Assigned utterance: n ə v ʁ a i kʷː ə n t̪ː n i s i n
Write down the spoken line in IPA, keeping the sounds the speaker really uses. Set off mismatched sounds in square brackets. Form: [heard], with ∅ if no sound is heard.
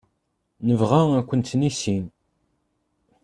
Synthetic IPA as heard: n ə v ʁ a [æ] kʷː ə n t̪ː n i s i n

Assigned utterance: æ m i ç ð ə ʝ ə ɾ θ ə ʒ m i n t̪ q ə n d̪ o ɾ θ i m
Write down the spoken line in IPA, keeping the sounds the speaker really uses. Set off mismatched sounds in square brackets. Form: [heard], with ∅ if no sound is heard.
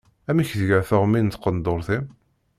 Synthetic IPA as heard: æ m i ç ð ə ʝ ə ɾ θ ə [ʁ] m i n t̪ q ə n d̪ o ɾ θ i m

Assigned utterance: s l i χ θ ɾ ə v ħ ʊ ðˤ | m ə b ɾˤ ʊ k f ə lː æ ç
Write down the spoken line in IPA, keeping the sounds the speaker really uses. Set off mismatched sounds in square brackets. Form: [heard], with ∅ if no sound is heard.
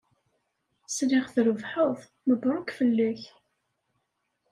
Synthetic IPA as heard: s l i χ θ ɾ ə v ħ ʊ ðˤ | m ə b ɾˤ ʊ k f ə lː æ ç

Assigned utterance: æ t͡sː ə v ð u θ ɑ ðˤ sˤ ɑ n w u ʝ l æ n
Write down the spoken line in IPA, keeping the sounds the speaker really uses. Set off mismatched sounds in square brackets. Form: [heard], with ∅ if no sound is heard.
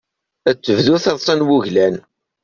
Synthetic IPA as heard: æ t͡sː ə v ð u θ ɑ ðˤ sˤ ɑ n w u ʝ l æ n

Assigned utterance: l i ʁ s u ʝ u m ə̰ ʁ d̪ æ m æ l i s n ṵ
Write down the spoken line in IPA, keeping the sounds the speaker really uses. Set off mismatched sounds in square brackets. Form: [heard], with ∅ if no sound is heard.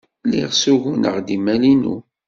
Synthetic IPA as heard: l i ʁ s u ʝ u [n] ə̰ ʁ d̪ [i] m æ l i [∅] n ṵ

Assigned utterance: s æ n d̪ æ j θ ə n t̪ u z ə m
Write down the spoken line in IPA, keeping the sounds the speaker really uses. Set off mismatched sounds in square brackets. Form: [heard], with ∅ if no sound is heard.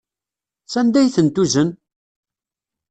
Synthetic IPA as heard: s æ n d̪ æ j θ ə n t̪ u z ə [n]

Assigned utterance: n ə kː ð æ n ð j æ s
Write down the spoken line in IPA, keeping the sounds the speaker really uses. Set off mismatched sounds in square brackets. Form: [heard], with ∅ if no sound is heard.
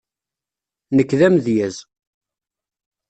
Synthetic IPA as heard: n ə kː ð æ [m] ð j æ [z]

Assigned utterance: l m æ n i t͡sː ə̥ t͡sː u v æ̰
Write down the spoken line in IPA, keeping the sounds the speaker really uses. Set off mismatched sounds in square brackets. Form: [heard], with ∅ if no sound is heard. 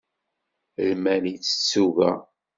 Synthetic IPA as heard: l m æ n i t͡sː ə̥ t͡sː u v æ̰

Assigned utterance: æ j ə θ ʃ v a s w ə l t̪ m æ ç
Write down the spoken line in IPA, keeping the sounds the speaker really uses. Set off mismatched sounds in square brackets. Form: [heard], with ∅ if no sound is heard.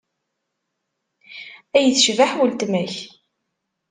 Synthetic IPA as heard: æ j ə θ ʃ v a [ħ] w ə l t̪ m æ ç

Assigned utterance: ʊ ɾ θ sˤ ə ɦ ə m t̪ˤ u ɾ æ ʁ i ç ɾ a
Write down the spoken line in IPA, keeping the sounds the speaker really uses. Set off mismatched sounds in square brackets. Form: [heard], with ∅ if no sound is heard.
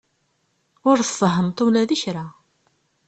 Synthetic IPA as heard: ʊ ɾ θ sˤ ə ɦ ə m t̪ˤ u [l] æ [ð] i ç ɾ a

